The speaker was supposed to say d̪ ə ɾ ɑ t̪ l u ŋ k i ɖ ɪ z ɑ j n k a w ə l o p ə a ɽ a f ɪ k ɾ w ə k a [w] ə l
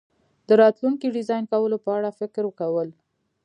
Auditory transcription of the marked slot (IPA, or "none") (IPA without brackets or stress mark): w